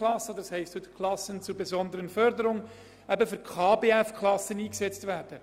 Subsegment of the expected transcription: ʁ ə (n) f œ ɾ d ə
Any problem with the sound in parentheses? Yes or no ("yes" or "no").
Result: no